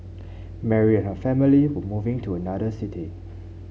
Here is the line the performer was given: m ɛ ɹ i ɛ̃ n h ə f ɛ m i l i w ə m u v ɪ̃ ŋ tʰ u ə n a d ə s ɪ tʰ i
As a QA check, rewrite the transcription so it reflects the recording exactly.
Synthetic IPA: m ɛ ɹ i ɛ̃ n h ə f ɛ m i l i w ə m u v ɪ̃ ŋ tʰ u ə n a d ə s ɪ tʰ i